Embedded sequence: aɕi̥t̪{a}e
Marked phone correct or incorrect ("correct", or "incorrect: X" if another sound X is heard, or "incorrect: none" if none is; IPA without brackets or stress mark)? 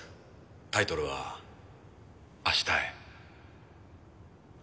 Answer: correct